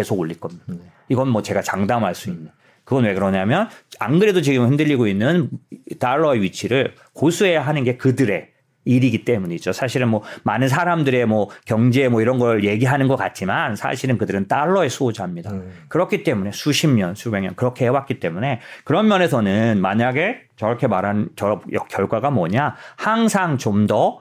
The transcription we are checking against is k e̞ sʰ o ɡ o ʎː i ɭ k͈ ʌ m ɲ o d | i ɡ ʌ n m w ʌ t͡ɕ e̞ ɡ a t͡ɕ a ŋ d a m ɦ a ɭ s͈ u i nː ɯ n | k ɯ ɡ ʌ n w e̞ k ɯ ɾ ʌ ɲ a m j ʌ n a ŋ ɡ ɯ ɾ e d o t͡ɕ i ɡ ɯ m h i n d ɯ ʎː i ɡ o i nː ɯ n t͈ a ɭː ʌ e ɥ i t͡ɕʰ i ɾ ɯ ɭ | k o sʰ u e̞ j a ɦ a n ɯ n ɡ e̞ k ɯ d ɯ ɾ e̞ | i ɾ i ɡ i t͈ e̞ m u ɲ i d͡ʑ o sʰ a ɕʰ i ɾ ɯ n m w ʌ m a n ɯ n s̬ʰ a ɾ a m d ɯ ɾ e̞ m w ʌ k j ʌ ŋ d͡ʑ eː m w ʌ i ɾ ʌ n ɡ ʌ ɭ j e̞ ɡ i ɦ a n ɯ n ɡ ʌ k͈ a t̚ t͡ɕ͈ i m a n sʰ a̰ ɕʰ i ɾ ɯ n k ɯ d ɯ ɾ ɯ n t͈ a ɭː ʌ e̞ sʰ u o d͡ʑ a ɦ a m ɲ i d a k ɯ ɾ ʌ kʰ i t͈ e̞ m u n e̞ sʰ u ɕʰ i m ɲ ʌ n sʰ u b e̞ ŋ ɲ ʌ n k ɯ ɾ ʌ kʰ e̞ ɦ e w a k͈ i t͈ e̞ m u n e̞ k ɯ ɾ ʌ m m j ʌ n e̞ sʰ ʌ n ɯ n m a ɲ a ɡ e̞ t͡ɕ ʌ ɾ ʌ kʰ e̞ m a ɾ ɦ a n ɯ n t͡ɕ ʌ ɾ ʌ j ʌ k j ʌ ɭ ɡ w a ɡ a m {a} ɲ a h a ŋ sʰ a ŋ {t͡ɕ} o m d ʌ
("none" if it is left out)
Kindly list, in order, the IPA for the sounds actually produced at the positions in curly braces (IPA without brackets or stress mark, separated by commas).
ʌ, t͡ɕ